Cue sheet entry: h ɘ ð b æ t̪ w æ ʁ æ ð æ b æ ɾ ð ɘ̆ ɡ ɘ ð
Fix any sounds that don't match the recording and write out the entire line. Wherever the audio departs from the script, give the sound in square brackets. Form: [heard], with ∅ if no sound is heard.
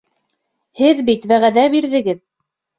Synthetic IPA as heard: h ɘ ð b [i] t̪ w æ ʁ æ ð æ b [i] ɾ ð ɘ̆ ɡ ɘ ð